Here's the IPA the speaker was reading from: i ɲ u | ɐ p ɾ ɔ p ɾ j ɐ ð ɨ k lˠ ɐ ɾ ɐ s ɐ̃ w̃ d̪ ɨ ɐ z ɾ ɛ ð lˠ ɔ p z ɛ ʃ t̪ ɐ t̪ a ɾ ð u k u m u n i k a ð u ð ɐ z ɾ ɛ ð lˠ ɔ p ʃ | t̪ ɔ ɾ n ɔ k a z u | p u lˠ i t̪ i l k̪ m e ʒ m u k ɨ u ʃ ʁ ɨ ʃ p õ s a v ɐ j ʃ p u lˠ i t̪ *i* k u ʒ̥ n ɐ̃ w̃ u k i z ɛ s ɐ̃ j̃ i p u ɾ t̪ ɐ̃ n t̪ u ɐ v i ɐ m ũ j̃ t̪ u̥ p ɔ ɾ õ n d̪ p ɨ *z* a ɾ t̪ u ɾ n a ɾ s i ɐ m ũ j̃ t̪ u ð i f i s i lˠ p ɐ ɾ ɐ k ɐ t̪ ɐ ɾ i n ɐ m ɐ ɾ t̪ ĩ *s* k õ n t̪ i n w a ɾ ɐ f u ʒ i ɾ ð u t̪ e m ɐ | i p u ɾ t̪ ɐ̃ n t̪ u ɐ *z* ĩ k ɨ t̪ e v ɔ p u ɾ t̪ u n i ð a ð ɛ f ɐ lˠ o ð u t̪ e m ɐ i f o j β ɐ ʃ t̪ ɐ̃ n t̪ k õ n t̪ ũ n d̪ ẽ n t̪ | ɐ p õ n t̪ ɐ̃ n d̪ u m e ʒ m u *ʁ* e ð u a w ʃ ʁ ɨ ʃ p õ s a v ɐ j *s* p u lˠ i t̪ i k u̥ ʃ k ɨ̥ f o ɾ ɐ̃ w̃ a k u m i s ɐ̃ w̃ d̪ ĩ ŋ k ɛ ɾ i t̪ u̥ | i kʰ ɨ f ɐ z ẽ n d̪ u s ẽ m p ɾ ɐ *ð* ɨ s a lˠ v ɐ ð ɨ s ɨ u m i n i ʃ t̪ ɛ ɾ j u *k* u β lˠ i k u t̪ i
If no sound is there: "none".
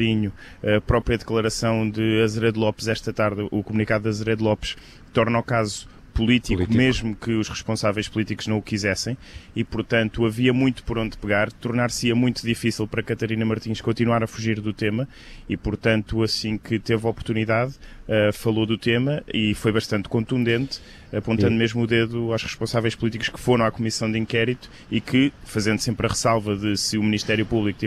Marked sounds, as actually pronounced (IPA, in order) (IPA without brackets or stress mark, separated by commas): i, ɣ, ʃ, s, ð, ʃ, ʁ, p